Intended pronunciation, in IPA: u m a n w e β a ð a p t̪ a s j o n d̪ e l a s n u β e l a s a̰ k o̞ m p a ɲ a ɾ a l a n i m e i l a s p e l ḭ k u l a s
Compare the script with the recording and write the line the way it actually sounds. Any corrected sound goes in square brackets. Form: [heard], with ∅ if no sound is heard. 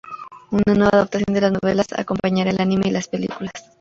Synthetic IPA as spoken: u [n] a n w e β a ð a p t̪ a s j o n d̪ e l a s n [o] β e l a s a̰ k o̞ m p a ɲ a ɾ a l a n i m e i l a s p e l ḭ k u l a s

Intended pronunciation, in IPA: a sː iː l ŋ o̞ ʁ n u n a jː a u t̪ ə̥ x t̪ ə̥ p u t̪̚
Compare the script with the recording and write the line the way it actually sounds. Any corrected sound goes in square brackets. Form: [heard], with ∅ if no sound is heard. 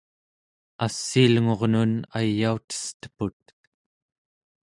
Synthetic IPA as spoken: a sː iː l ŋ o̞ ʁ n u n a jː a u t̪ ə̥ [s] t̪ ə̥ p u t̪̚

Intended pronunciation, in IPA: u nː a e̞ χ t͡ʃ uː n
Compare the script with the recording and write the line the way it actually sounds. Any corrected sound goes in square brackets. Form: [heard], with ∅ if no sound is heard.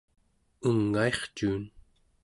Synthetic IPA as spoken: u [ŋː] a e̞ χ t͡ʃ uː n

